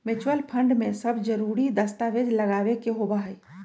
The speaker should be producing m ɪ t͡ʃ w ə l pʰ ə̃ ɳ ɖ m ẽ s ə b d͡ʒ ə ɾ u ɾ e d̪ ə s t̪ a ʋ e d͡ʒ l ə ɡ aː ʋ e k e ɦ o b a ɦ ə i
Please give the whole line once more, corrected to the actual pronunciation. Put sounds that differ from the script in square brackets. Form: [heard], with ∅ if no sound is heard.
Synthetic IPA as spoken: m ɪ t͡ʃ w ə l pʰ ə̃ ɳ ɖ m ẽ s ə b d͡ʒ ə ɾ u ɾ [i] d̪ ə s t̪ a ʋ e d͡ʒ l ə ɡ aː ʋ e k e ɦ o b a ɦ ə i